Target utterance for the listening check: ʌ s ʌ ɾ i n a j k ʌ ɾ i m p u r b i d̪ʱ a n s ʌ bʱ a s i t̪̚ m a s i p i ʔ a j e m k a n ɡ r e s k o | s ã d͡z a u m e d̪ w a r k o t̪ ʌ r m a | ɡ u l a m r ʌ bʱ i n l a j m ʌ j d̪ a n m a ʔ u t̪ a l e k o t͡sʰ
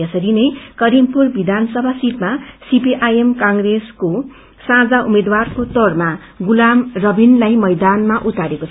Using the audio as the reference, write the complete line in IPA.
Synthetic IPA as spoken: ʌ s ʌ ɾ i n ʌ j k ʌ ɾ i m p u r b i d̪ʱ a n s ʌ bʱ a s i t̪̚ m a s i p i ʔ a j e m k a ŋ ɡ r e s k o | s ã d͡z a u m e d̪ w a r k o t̪ ʌ r m a | ɡ u l a m r ʌ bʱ i n l a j m ʌ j d̪ a n m a ʔ u t̪ a ɾ e k o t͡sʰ